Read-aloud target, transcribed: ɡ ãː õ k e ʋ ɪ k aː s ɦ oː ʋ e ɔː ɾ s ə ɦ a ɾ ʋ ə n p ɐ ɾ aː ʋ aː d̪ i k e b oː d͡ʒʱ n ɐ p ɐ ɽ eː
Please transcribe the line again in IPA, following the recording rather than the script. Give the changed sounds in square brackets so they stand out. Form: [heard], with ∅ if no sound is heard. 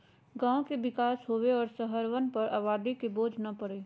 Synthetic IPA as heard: ɡ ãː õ k e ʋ ɪ k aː s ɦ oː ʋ e ɔː ɾ s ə ɦ [ə] ɾ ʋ ə n p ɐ ɾ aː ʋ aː d̪ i k e b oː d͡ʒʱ n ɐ p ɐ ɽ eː